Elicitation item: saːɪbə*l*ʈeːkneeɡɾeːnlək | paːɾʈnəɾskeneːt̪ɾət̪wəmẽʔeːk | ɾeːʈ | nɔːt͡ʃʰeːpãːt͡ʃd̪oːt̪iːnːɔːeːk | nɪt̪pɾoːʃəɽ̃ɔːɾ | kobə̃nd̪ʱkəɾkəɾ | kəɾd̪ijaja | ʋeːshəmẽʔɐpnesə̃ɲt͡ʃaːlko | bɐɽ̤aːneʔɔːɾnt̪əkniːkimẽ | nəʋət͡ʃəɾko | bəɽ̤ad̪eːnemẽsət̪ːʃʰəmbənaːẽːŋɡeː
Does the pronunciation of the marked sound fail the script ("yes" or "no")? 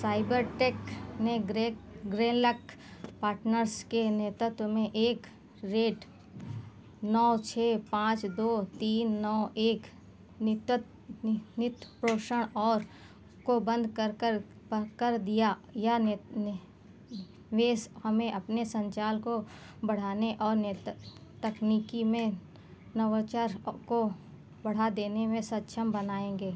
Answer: yes